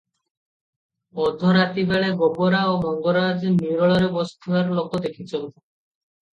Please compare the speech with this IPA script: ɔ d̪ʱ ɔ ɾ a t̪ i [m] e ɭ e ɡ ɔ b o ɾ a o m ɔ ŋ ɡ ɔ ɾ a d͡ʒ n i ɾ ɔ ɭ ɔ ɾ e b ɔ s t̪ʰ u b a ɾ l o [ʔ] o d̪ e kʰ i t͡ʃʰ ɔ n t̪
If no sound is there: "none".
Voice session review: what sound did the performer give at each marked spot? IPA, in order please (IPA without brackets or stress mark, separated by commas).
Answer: b, k